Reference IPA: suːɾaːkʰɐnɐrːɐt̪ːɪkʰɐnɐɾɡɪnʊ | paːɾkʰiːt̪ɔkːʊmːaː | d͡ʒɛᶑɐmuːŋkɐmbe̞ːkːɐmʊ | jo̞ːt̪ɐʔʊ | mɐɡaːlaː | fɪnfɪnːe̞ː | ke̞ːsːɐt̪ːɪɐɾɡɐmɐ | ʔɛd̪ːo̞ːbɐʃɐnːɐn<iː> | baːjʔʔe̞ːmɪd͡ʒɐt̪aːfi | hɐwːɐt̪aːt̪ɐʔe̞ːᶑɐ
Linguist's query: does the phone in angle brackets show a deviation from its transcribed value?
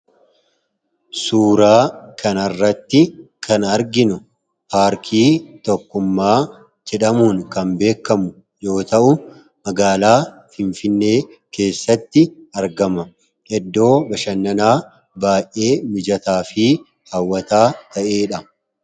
yes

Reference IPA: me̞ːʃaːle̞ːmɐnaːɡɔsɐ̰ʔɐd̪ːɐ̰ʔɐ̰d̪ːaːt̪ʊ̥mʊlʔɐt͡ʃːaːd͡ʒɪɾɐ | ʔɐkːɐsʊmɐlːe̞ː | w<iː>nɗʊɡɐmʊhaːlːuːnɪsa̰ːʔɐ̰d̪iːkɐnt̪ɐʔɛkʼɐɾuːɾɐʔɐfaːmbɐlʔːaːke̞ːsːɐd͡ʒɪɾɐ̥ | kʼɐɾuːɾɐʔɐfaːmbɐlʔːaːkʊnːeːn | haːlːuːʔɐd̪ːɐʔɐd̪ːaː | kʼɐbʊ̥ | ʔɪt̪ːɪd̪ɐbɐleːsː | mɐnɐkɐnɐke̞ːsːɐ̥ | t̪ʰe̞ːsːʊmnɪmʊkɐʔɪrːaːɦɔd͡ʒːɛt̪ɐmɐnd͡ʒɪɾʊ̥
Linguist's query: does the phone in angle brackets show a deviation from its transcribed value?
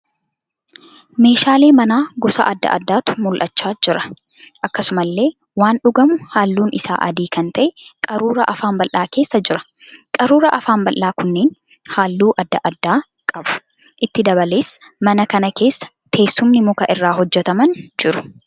yes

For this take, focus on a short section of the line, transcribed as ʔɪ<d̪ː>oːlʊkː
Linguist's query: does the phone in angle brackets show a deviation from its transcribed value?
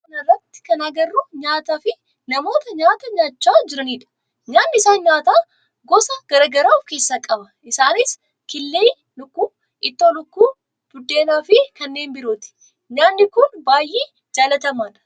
yes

